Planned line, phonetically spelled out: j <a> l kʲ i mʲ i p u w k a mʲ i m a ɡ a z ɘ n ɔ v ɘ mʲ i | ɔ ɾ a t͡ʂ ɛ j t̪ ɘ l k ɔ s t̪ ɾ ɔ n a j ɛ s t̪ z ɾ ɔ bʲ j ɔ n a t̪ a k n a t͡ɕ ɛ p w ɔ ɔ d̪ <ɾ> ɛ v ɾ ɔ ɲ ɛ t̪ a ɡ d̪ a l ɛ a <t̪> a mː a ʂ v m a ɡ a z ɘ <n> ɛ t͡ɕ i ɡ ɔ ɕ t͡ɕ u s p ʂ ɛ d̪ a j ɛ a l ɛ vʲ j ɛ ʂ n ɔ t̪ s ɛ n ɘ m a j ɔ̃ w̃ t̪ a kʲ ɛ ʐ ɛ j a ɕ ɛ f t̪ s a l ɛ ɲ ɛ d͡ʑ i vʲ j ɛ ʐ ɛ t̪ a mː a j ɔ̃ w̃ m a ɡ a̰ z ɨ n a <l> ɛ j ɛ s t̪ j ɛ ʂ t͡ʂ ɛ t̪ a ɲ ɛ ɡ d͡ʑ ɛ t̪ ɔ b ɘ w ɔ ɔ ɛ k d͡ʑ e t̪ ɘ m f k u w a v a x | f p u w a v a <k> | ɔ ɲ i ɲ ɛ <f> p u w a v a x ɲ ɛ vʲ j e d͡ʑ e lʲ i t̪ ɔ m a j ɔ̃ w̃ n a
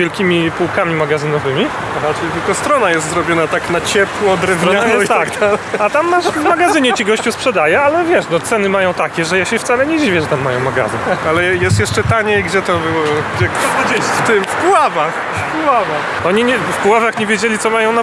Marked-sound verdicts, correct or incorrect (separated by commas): incorrect, correct, correct, incorrect, correct, incorrect, correct